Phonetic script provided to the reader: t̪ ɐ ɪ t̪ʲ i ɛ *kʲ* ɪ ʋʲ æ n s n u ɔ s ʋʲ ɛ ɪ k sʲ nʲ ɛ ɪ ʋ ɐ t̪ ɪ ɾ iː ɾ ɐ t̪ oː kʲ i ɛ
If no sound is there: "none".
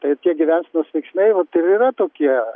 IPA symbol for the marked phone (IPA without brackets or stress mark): ɡʲ